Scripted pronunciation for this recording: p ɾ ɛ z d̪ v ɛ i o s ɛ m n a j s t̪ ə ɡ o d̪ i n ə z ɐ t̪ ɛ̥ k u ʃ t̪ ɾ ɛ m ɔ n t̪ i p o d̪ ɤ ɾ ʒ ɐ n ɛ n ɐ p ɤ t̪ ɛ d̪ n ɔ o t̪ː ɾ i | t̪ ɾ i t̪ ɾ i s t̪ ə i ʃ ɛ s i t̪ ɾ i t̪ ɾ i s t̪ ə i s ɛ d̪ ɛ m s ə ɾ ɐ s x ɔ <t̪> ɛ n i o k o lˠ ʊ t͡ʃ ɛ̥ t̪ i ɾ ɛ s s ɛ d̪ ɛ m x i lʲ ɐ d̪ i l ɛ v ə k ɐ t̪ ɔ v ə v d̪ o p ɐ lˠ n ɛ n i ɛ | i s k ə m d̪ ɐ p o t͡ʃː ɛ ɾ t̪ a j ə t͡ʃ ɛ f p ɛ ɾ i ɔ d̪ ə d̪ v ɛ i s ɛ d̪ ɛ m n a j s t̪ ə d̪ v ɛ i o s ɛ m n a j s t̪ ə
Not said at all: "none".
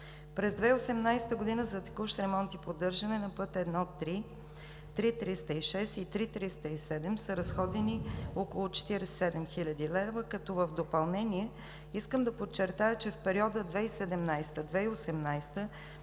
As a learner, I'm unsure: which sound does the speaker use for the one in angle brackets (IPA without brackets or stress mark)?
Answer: d̪